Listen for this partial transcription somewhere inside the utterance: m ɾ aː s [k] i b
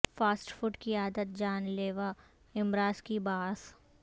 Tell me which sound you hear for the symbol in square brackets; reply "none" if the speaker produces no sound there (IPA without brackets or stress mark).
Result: k